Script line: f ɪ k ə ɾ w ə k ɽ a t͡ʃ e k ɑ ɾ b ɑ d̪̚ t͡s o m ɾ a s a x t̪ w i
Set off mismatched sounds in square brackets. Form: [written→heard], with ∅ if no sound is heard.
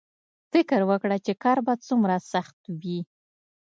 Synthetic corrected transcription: f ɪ k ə ɾ w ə k ɽ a t͡ʃ e k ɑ ɾ b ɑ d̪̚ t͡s [o→u] m ɾ a s a x t̪ w i